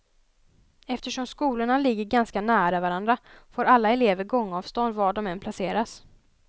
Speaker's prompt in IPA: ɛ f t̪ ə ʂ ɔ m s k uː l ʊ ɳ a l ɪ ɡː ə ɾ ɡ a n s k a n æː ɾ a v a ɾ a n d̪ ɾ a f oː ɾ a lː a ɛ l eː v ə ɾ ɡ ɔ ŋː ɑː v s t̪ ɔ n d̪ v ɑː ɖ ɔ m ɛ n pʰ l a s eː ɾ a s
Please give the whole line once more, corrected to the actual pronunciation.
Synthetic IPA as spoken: ɛ f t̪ ə ʂ ɔ m s k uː l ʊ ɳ a l ɪ ɡː ə ɾ ɡ a n s k a n æː ɾ a v a ɾ a n d̪ ɾ a f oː ɾ a lː a ɛ l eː v ə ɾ ɡ ɔ ŋː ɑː v s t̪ ɔ n d̪ v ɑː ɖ ɔ m ɛ n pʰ l a s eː ɾ a s